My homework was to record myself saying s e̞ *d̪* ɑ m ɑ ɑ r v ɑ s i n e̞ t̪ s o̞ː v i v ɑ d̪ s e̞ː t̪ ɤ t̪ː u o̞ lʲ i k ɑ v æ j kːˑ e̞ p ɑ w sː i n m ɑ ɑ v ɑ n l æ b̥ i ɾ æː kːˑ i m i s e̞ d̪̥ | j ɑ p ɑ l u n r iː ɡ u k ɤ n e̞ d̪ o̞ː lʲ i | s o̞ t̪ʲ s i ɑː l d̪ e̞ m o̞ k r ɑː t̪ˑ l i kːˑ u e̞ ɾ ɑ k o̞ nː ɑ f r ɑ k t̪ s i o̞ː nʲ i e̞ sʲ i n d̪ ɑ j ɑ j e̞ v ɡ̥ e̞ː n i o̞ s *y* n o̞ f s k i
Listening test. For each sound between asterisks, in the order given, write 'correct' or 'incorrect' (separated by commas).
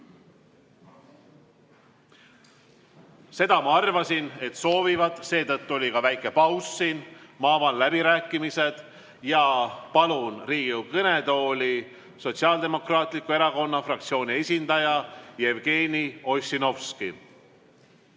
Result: correct, incorrect